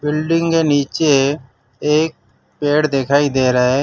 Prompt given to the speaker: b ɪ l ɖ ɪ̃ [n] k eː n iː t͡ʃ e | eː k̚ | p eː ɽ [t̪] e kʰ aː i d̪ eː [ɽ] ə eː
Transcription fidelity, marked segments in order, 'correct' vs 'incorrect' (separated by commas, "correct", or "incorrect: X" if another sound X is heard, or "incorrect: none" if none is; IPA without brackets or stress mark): incorrect: ŋ, incorrect: d̪, incorrect: ɾ